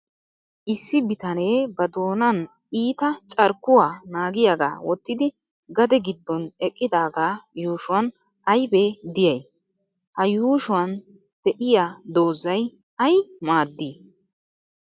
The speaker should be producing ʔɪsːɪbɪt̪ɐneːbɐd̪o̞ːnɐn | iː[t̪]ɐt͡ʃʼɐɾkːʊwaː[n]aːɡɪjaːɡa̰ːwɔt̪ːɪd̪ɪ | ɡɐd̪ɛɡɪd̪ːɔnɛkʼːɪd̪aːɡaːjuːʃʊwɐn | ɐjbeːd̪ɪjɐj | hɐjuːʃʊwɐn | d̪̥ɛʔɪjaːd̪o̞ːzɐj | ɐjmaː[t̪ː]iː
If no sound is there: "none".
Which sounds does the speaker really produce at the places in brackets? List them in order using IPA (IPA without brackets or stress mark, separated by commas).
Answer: t̪, n, d̪ː